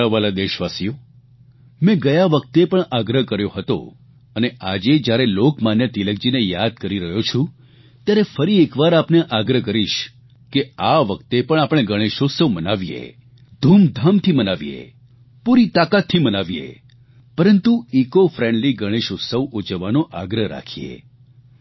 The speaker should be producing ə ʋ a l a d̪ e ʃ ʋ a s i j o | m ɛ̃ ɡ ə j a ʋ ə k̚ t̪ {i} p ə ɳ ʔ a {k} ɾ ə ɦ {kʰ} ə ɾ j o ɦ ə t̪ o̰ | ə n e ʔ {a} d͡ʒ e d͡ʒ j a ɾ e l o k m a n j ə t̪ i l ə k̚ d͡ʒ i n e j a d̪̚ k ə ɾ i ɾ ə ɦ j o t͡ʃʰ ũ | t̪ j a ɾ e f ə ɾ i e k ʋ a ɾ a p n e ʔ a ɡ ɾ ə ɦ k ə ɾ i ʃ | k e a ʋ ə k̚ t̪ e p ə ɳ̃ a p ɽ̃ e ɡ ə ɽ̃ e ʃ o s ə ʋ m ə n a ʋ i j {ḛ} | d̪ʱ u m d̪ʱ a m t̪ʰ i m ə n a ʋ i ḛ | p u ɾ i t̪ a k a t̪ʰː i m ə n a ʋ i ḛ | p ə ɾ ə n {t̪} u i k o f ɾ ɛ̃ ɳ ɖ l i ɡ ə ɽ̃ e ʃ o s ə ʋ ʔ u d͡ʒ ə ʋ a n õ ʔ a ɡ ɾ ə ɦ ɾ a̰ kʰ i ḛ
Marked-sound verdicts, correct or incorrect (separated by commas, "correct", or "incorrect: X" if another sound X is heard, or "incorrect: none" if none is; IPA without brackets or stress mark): incorrect: e, incorrect: ɡ, incorrect: k, correct, correct, correct